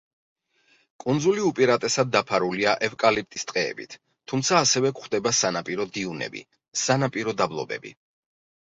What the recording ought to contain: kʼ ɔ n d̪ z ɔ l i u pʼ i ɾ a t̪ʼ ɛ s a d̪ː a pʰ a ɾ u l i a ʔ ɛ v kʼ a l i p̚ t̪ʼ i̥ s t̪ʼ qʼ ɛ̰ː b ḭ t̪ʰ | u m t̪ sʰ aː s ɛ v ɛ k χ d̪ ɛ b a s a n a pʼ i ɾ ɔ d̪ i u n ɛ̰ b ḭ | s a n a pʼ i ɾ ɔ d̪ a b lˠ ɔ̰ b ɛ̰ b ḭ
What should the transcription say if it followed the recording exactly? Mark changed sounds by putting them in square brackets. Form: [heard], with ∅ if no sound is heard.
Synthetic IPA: kʼ [u] n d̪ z [u] l i u pʼ i ɾ a t̪ʼ ɛ s a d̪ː a pʰ a ɾ u l i a ʔ ɛ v kʼ a l i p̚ t̪ʼ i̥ s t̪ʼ qʼ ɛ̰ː b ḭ t̪ʰ | u m t̪ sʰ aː s ɛ v ɛ k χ d̪ ɛ b a s a n a pʼ i ɾ ɔ d̪ i u n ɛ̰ b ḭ | s a n a pʼ i ɾ ɔ d̪ a b lˠ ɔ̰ b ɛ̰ b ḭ